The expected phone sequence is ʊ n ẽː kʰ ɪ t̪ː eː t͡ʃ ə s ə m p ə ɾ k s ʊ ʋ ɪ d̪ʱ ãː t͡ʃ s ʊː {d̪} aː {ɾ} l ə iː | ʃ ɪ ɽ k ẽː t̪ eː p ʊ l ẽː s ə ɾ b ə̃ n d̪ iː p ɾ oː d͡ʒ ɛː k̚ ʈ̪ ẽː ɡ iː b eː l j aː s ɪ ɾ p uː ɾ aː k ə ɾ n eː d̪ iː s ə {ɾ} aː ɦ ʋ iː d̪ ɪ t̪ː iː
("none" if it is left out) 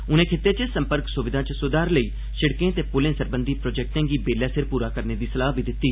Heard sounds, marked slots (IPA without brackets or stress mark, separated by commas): d̪, ɾ, l